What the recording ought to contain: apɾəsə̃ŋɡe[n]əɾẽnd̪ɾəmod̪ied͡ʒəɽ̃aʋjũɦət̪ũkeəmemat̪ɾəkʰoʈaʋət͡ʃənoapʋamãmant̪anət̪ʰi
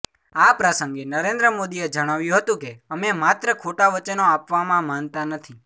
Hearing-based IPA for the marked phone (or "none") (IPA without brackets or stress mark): n